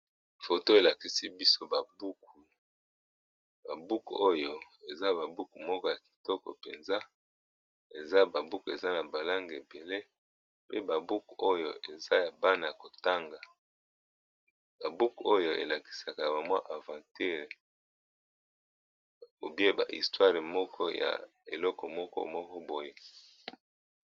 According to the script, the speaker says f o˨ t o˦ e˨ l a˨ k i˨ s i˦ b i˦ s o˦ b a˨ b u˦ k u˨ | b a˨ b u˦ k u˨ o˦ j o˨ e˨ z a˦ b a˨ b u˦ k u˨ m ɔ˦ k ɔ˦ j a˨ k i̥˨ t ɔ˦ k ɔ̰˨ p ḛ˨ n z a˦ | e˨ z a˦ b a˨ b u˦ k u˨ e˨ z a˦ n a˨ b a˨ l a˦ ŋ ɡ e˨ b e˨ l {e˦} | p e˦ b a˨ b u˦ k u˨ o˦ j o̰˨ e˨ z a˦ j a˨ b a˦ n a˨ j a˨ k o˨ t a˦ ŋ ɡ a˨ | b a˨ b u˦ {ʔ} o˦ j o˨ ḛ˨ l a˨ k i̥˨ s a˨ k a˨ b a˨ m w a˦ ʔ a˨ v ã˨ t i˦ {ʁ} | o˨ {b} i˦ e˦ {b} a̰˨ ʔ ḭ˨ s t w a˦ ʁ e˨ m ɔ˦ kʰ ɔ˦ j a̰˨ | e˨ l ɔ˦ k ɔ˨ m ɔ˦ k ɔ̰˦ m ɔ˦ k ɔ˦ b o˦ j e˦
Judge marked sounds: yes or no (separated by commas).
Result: yes, no, yes, yes, yes